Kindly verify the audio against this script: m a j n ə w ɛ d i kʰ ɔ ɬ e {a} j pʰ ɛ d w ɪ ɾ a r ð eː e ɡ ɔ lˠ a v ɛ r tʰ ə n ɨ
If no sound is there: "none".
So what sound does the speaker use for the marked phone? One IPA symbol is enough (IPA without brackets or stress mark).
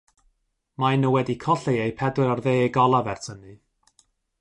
e